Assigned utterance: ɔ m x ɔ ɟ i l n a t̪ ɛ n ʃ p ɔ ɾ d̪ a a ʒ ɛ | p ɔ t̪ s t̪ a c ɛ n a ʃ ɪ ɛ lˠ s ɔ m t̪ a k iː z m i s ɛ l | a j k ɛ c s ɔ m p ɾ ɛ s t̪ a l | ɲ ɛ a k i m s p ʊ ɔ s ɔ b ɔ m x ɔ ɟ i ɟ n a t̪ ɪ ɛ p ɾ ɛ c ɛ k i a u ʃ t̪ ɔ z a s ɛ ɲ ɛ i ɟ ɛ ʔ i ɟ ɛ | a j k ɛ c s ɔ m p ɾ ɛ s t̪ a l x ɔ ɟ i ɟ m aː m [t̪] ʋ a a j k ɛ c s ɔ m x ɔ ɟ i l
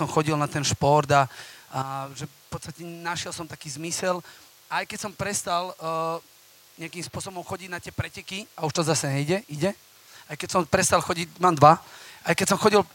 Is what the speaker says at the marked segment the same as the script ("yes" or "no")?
no